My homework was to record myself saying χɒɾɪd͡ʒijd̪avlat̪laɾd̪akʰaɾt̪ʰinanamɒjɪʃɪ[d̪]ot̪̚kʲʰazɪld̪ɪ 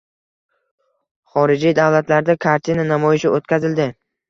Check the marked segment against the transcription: incorrect: none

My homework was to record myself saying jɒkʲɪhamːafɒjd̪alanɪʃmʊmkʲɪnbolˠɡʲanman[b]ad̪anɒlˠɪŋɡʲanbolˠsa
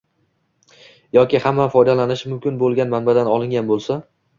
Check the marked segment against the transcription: correct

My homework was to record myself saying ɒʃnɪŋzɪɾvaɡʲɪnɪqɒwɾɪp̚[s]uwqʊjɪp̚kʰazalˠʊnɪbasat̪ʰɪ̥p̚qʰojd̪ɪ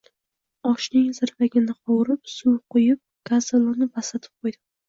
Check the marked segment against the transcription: correct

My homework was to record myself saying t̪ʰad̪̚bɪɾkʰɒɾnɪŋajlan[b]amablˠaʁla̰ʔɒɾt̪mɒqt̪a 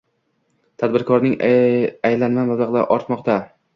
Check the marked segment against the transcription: incorrect: m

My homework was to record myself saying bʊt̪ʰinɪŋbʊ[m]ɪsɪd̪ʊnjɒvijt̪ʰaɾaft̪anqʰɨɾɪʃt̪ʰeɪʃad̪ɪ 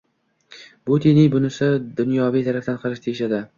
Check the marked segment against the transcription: incorrect: n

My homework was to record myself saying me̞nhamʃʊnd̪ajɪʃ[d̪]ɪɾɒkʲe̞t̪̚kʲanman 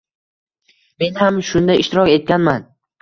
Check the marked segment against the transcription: incorrect: t̪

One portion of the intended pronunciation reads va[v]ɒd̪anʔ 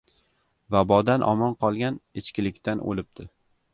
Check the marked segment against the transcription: incorrect: b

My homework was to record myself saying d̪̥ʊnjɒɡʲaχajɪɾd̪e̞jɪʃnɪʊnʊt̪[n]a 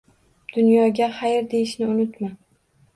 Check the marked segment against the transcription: incorrect: m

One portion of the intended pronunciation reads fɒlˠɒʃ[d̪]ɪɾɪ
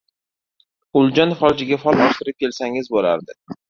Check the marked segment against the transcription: incorrect: t̪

